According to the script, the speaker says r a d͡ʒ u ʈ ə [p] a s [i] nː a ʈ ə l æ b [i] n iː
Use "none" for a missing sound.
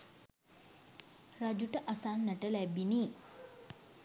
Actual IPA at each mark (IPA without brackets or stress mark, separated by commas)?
ʔ, a, i